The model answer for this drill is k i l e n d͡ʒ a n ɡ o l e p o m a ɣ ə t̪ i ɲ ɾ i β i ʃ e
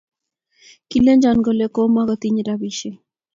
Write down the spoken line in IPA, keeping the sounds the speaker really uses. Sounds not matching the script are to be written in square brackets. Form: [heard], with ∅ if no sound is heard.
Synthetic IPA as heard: k i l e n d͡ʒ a n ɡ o l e [k] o m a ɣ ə t̪ i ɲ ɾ [a] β i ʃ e